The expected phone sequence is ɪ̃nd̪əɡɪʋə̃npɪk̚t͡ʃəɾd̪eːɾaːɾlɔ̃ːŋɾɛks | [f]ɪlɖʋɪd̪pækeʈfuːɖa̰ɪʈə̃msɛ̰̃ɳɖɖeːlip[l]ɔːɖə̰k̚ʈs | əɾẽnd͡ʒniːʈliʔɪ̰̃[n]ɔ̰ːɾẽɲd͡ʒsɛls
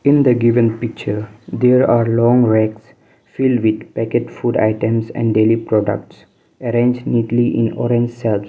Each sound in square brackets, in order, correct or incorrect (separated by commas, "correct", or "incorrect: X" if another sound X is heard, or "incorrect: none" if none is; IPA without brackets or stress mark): correct, incorrect: ɾ, correct